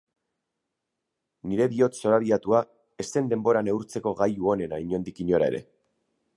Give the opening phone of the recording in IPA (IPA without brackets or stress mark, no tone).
n